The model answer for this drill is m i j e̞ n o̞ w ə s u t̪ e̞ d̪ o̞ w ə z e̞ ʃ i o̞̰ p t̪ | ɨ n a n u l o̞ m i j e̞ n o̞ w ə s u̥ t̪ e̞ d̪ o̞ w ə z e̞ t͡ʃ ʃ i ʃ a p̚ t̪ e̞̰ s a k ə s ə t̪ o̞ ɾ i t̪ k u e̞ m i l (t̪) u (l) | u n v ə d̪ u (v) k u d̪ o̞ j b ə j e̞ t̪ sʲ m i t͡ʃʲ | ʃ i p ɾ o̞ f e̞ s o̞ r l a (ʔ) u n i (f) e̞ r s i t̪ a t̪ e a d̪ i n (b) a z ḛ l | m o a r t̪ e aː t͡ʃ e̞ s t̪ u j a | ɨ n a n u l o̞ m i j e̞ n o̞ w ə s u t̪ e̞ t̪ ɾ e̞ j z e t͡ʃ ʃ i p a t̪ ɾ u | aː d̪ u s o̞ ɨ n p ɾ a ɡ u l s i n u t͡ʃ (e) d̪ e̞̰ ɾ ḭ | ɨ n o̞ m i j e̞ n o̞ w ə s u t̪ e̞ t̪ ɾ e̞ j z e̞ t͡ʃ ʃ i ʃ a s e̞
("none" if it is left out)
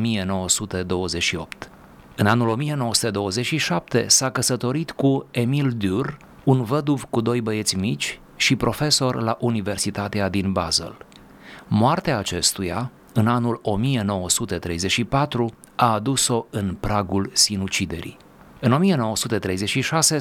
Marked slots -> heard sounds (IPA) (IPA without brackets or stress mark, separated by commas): d̪, r, v, ʔ, v, b, i